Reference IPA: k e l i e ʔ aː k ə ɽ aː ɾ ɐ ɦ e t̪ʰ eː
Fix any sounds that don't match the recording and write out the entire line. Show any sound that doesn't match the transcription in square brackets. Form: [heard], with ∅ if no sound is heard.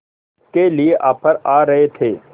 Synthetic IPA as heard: k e l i e ʔ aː [p] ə [ɾ] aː ɾ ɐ ɦ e t̪ʰ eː